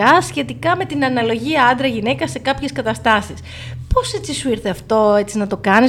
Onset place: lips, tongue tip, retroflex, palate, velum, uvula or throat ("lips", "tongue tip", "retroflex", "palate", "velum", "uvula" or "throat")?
tongue tip